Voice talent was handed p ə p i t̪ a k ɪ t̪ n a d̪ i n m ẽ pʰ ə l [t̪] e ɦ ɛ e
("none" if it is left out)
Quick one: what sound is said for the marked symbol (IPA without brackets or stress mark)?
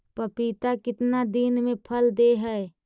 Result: d̪